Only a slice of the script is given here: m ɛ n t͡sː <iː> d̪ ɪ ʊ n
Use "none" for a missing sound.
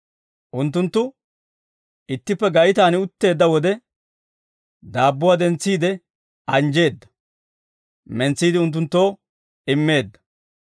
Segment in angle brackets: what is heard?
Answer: iː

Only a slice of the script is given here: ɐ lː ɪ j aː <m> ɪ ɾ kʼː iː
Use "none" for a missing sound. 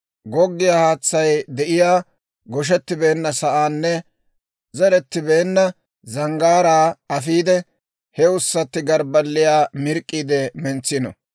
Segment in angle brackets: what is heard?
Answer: m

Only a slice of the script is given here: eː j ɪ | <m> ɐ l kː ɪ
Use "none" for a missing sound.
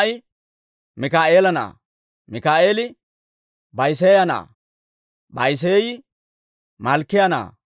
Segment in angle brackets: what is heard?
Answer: m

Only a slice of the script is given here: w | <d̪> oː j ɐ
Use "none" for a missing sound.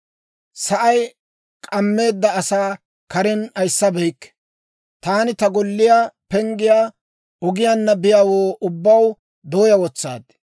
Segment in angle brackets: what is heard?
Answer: d̪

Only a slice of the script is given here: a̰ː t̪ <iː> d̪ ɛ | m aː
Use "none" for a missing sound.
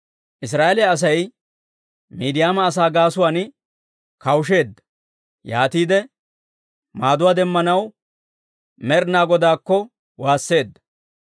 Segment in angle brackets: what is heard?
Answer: iː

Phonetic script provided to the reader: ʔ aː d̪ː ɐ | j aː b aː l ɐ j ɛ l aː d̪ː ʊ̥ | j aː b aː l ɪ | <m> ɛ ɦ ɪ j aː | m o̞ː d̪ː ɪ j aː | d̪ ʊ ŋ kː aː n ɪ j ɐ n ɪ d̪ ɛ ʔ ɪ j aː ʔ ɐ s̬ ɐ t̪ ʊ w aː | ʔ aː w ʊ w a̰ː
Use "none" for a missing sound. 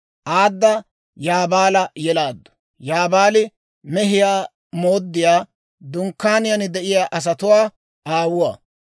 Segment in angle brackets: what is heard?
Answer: m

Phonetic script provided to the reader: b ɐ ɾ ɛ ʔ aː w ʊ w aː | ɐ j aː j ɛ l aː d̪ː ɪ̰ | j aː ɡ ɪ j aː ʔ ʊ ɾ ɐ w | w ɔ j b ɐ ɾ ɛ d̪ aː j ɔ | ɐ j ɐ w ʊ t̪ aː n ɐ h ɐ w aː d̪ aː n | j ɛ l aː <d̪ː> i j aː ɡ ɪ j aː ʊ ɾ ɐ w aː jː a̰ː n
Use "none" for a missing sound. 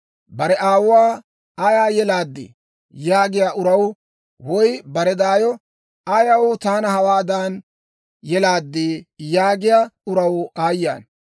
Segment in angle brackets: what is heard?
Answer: d̪ː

